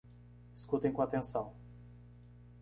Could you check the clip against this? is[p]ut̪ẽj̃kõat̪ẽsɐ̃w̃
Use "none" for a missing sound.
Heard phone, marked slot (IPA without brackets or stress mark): k